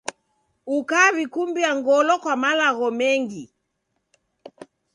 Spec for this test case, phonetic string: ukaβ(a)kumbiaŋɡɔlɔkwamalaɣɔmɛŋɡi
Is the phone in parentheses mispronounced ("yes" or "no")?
yes